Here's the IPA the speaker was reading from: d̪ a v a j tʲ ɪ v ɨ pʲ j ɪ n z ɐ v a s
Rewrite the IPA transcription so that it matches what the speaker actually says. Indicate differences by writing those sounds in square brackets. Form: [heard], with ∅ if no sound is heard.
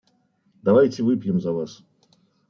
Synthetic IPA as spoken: d̪ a v a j tʲ ɪ v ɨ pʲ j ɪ [m] z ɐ v a s